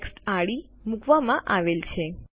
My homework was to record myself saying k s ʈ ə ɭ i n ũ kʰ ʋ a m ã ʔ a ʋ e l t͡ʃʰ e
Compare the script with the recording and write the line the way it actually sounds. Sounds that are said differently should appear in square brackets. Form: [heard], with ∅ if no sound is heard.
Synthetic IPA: k s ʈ [a] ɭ i [m] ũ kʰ ʋ a m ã ʔ a ʋ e l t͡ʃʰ e